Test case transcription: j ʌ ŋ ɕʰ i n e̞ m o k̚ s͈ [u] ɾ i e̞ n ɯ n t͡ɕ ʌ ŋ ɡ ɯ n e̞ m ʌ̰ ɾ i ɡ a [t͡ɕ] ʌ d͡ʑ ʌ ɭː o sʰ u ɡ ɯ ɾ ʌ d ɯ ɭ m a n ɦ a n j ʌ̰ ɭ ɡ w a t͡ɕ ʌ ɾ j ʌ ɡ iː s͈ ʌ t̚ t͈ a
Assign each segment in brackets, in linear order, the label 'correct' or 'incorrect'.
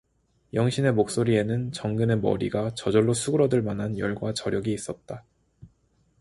incorrect, correct

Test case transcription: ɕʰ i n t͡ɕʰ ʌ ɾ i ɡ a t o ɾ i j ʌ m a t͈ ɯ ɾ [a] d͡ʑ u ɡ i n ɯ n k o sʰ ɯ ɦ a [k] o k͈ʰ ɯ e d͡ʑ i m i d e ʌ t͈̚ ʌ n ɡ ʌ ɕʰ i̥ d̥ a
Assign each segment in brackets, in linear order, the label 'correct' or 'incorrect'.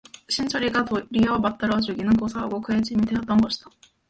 incorrect, incorrect

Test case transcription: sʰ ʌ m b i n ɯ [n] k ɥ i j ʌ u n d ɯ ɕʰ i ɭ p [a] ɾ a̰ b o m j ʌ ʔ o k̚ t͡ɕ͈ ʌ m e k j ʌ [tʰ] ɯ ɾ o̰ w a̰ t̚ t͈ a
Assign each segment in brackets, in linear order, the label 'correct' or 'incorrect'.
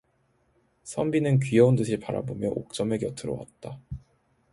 correct, correct, correct

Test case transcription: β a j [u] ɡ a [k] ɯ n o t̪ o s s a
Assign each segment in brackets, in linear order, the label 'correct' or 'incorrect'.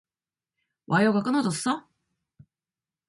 incorrect, correct

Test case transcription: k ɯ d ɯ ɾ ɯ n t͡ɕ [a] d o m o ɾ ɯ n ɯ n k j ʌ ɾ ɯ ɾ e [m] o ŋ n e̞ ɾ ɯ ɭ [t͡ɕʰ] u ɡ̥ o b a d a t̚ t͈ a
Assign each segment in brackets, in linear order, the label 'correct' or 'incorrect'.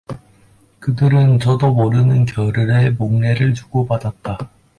incorrect, correct, incorrect

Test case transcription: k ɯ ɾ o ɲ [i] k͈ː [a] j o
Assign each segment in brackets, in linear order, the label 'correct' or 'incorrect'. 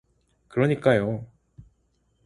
correct, correct

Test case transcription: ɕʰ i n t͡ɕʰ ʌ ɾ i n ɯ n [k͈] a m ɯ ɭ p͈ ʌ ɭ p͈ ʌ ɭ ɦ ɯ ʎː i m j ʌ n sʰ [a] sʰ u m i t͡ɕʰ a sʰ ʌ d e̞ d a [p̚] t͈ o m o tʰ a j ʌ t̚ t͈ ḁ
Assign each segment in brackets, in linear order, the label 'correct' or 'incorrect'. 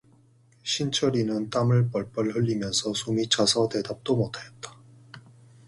incorrect, incorrect, correct

